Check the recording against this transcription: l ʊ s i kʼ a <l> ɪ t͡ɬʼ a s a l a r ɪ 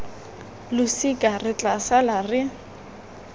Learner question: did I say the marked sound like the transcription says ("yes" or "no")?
no